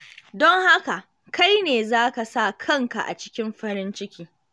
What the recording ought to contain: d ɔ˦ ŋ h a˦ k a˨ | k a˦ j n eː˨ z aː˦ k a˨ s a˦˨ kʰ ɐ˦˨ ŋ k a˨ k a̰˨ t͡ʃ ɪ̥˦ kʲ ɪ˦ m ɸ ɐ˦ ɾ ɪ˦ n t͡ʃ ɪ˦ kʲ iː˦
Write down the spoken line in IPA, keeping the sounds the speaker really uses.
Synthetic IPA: d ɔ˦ ŋ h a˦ k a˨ | k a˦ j n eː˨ z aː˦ k a˨ s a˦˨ kʰ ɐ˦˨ ŋ k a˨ ʔ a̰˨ t͡ʃ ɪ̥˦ kʲ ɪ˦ m ɸ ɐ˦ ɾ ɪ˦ n t͡ʃ ɪ˦ kʲ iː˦